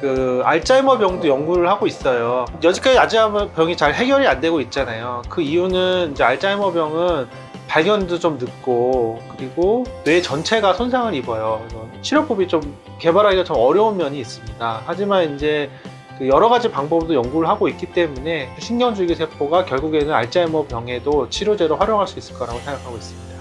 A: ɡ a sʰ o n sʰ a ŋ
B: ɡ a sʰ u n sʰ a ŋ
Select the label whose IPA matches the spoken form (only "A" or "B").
A